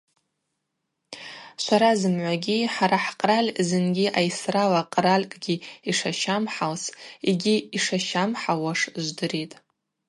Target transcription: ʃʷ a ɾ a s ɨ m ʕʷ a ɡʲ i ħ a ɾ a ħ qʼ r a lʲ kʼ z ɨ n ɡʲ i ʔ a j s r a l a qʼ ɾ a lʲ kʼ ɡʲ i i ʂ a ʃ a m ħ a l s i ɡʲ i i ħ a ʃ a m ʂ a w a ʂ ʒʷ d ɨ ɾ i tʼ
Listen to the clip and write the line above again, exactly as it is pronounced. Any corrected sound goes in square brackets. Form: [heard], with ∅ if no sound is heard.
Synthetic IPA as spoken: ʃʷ a ɾ a [z] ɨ m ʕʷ a ɡʲ i ħ a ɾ a ħ qʼ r a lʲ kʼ z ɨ n ɡʲ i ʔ a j s r a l a qʼ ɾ a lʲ kʼ ɡʲ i i ʂ a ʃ a m ħ a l s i ɡʲ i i [ʂ] a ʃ a m [ħ] a w a ʂ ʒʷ d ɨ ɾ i tʼ